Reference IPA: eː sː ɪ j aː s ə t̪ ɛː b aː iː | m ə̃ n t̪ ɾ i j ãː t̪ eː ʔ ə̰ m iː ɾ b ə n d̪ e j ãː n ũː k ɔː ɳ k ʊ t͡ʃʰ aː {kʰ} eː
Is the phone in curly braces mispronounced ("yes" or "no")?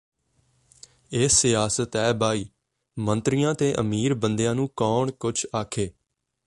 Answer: no